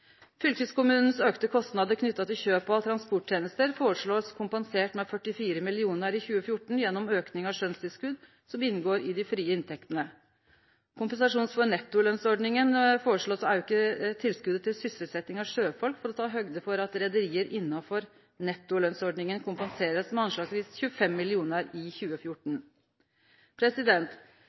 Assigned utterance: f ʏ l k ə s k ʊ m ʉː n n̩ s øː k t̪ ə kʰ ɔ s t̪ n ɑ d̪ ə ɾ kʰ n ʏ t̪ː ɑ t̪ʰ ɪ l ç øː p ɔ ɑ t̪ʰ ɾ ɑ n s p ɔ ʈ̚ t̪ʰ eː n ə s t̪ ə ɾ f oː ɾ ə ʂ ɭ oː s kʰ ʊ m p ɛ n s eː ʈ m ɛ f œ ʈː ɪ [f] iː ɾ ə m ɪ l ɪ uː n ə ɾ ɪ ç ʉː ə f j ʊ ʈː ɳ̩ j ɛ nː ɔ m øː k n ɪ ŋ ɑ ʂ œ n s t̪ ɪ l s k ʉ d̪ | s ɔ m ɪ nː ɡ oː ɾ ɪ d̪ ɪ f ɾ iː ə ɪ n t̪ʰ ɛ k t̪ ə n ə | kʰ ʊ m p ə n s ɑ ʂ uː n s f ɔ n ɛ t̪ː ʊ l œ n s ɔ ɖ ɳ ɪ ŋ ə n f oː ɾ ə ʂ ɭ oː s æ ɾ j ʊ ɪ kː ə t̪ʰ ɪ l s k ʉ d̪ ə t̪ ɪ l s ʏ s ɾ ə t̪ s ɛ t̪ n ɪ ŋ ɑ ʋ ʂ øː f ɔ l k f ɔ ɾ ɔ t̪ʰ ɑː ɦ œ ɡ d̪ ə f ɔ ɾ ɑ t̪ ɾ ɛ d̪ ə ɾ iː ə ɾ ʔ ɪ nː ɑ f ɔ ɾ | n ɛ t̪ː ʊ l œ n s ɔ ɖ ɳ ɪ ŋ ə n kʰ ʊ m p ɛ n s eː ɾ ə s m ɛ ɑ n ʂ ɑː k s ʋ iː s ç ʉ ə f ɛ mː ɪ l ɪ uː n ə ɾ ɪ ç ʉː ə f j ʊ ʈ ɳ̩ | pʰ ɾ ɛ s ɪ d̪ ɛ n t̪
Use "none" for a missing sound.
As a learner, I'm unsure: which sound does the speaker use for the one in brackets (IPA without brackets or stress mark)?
f